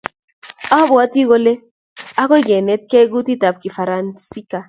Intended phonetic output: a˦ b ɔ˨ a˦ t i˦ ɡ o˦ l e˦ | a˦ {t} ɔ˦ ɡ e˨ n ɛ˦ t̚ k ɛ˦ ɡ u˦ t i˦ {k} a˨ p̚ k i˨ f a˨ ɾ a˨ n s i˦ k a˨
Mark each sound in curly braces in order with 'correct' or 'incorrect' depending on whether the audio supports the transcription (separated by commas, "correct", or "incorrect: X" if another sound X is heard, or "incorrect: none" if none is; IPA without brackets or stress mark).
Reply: incorrect: k, incorrect: t